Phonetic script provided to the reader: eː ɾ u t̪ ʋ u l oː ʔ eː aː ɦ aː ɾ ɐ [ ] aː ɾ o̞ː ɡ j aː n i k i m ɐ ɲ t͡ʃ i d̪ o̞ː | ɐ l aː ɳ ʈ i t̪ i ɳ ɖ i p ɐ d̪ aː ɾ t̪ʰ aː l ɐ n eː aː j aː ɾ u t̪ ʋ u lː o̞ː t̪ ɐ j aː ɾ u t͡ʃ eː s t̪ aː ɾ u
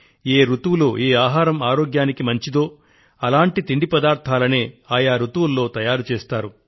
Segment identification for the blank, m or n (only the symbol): m